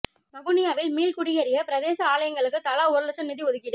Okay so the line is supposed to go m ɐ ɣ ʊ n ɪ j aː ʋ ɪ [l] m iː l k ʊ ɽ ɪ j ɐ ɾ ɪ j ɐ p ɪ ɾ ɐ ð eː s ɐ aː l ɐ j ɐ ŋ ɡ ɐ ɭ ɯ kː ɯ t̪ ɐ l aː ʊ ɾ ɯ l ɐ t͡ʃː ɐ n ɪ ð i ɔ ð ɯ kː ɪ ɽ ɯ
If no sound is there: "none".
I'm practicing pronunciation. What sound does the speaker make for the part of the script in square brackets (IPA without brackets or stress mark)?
l